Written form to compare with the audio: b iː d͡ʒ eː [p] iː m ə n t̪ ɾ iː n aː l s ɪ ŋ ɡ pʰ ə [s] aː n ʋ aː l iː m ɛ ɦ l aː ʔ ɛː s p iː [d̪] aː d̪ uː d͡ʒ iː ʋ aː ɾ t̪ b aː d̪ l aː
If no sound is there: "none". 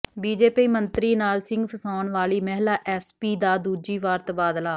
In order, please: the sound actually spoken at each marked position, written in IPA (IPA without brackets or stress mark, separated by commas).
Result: p, s, d̪